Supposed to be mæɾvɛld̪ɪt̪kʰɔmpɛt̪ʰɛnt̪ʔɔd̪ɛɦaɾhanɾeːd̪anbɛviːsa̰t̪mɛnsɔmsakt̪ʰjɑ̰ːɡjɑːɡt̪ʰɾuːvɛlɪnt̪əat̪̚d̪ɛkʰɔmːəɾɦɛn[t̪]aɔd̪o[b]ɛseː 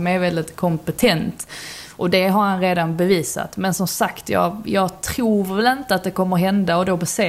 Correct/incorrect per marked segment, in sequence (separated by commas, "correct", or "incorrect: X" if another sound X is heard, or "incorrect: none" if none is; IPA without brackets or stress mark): incorrect: d̪, correct